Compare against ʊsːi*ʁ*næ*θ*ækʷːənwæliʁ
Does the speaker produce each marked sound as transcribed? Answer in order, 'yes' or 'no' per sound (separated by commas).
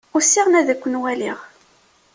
yes, no